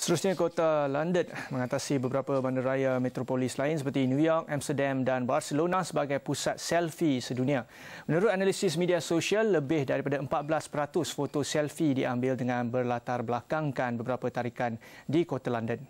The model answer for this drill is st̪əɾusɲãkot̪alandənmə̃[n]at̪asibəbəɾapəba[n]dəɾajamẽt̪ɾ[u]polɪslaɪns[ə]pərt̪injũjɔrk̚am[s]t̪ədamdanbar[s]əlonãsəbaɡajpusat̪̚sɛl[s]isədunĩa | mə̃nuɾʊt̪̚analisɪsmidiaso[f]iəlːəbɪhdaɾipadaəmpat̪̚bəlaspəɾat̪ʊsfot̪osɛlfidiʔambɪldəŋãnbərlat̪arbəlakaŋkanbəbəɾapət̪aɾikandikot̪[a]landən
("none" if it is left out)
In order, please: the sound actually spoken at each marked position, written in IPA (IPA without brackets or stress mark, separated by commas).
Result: ŋ, n, o, ə, s, s, f, ʃ, a